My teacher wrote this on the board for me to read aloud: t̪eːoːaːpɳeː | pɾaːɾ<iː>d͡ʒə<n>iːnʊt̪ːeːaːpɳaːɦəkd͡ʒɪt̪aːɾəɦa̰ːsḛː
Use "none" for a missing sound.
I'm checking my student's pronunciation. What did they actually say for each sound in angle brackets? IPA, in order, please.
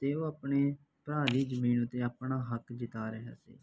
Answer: iː, m

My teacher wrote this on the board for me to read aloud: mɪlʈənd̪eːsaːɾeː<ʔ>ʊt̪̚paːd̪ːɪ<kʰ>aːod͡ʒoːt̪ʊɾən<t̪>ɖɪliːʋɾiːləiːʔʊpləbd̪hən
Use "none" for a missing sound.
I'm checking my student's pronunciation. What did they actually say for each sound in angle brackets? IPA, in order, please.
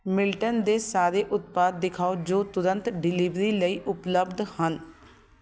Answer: ʔ, kʰ, t̪

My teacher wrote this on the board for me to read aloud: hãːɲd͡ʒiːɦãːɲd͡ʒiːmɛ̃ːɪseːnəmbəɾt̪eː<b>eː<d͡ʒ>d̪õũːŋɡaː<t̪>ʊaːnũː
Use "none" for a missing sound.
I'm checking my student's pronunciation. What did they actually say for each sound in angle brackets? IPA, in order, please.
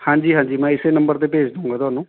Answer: p, d͡ʒ, t̪

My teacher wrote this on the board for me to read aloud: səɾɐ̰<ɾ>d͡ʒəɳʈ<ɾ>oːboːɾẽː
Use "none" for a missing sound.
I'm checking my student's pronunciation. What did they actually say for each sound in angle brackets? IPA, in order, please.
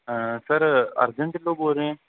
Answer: ɾ, l

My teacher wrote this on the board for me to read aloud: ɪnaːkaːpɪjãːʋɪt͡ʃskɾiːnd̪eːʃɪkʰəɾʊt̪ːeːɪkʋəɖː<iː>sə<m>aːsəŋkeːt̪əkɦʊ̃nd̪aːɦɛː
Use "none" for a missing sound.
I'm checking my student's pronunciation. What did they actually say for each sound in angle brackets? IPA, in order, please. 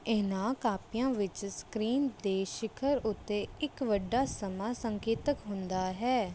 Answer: aː, m

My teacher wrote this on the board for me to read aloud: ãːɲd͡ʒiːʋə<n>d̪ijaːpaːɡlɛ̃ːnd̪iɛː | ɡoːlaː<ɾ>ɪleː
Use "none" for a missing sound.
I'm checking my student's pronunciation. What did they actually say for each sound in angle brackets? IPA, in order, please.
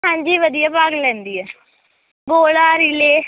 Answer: none, ɾ

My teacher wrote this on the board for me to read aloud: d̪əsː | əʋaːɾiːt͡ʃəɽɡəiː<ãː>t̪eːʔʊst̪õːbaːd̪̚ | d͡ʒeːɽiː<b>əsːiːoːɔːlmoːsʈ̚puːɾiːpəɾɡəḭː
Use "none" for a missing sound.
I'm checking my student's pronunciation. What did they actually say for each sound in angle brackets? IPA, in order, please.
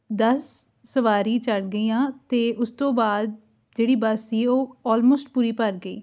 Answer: ãː, b

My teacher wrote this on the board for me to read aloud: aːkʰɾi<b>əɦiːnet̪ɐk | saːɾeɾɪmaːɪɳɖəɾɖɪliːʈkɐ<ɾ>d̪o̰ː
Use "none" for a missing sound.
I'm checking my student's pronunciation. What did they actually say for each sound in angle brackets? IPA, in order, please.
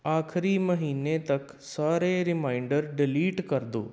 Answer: m, ɾ

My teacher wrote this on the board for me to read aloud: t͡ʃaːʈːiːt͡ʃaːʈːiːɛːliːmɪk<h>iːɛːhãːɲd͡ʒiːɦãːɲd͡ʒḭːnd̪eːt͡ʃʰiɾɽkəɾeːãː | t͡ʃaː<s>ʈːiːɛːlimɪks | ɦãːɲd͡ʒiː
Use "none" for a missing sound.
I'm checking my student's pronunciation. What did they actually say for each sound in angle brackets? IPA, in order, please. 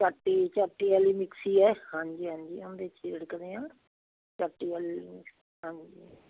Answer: s, none

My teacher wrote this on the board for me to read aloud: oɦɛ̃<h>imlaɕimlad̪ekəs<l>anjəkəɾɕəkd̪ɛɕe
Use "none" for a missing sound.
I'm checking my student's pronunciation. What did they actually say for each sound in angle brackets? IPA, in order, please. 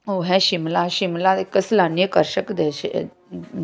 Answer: ɕ, l

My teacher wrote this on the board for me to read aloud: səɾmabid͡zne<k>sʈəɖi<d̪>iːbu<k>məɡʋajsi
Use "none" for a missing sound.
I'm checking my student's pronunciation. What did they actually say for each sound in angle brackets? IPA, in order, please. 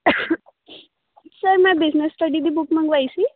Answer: none, d̪, k

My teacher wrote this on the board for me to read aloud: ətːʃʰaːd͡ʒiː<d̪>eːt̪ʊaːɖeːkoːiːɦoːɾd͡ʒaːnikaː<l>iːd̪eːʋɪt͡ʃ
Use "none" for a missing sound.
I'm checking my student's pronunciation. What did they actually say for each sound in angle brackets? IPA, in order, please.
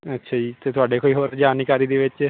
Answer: t̪, ɾ

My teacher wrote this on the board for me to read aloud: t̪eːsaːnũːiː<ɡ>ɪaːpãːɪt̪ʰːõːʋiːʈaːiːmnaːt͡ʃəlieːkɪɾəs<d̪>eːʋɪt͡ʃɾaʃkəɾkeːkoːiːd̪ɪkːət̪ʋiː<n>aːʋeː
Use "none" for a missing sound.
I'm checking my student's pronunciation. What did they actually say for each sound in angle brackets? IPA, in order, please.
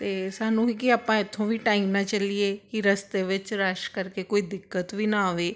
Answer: k, t̪, n

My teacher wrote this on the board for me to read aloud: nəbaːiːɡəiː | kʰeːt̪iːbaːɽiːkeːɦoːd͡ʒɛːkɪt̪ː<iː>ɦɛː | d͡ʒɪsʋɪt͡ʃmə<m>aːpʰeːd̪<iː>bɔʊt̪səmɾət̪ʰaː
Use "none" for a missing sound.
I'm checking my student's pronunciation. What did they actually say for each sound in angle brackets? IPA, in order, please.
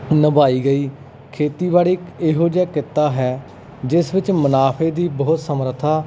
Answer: aː, n, iː

